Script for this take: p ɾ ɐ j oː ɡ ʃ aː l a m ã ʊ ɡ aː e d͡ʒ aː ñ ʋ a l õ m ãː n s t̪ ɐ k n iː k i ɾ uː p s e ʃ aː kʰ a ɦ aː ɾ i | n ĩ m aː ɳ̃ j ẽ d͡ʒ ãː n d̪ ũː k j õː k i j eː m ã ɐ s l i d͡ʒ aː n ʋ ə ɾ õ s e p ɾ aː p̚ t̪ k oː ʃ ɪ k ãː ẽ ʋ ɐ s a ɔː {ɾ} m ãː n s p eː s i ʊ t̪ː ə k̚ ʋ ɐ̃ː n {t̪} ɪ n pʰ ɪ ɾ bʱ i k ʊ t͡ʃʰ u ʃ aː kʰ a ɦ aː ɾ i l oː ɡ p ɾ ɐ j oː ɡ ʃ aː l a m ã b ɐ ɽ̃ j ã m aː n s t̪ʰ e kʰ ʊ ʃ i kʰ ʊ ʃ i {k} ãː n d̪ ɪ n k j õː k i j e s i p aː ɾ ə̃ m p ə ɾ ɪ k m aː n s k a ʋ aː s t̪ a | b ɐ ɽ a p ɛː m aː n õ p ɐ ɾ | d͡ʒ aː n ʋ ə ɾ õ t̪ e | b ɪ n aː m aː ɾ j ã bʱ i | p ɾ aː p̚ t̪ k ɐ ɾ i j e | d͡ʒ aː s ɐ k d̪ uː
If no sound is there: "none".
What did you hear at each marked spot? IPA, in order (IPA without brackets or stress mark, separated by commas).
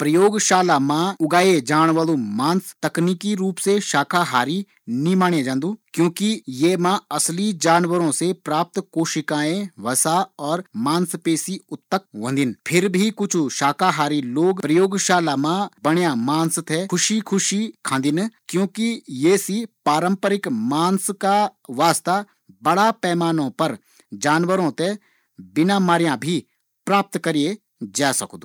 ɾ, d̪, kʰ